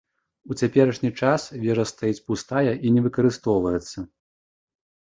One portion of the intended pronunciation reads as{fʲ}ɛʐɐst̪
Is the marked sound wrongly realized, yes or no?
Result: yes